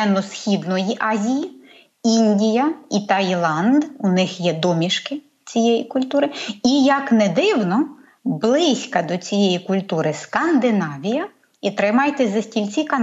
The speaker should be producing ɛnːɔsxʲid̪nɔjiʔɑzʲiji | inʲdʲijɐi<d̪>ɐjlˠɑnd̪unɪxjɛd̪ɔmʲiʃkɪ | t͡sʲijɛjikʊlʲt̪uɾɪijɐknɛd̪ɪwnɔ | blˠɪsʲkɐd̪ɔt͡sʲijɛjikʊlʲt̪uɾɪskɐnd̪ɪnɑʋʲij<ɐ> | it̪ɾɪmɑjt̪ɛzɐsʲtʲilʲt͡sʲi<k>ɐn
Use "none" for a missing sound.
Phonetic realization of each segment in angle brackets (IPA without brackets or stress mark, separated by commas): t̪, ɐ, k